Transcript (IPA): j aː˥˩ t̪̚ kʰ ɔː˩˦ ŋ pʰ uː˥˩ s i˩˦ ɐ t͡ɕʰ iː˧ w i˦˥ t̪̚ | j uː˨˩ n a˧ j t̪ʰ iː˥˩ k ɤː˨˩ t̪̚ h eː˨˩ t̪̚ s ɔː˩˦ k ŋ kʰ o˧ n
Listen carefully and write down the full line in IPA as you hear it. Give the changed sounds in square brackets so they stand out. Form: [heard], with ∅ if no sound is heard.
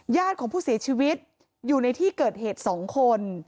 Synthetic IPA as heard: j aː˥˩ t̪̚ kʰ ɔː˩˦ ŋ pʰ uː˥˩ s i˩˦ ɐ t͡ɕʰ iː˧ w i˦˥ t̪̚ | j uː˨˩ n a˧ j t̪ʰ iː˥˩ k ɤː˨˩ t̪̚ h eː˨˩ t̪̚ s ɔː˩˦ [∅] ŋ kʰ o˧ n